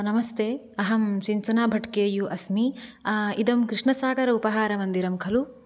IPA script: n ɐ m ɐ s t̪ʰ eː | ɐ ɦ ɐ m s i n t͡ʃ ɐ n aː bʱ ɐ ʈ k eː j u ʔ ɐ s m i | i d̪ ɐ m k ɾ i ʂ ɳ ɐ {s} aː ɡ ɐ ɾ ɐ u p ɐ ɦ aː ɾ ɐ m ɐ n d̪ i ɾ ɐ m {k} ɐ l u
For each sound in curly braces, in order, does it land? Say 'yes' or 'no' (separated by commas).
yes, no